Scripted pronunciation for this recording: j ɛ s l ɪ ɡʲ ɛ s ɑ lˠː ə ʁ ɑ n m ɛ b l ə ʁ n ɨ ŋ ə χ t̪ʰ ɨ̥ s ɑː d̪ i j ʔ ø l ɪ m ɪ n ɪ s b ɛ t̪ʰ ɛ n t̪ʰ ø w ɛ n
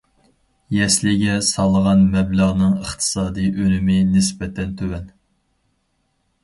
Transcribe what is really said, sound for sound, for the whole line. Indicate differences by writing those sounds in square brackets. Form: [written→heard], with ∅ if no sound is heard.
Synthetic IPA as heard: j ɛ s l ɪ ɡʲ ɛ s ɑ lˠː ə ʁ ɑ n m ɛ b l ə ʁ n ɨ ŋ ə χ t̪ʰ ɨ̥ s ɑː d̪ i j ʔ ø l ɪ m ɪ n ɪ s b ɛ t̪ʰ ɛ n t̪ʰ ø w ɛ n

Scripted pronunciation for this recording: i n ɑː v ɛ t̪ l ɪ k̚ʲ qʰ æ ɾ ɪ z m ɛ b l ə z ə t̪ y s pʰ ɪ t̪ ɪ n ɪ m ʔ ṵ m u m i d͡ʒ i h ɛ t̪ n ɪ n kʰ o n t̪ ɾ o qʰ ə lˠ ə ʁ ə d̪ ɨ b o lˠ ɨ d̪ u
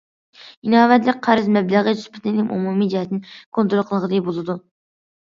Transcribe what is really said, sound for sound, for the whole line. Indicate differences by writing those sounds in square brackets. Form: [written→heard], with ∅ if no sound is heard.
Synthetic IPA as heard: i n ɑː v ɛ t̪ l ɪ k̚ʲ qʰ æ ɾ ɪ z m ɛ b l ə [z→ʁ] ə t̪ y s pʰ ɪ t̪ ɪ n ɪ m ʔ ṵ m u m i d͡ʒ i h ɛ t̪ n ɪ n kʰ o n t̪ ɾ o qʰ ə lˠ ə ʁ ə d̪ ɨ b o lˠ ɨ d̪ u

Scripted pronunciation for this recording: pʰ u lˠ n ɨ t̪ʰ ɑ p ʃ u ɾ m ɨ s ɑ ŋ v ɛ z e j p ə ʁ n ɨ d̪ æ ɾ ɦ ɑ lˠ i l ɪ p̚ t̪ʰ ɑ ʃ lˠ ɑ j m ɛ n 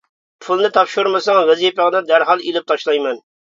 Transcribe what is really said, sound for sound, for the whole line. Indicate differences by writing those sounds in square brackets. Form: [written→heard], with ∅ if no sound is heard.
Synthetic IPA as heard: pʰ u lˠ n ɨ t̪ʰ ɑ p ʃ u ɾ m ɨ s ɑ ŋ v ɛ z [e→i] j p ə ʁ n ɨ d̪ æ ɾ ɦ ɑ lˠ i l ɪ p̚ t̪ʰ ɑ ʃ lˠ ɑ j m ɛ n

